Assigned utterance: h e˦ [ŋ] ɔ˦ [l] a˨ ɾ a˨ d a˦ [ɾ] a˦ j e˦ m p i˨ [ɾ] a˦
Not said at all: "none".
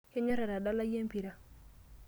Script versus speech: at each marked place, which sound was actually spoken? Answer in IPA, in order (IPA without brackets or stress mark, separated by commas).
ɲ, ɾ, l, ɾ